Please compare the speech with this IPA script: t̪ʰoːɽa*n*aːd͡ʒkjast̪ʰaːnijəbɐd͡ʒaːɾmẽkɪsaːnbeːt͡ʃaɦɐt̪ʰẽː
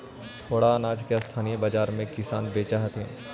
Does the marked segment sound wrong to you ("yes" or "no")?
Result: no